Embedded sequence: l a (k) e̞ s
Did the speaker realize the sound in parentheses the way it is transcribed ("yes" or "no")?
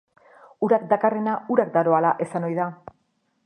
no